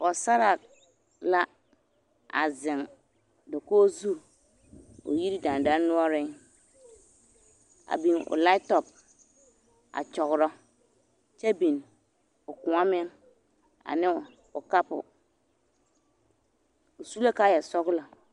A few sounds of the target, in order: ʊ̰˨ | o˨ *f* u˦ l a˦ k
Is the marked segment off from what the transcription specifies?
yes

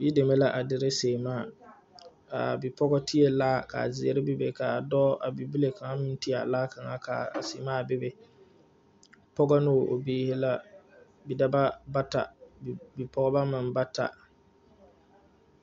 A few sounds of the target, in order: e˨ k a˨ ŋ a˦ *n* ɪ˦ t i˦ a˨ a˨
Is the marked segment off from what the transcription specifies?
yes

